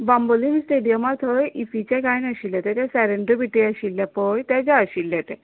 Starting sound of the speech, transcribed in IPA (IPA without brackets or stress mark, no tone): b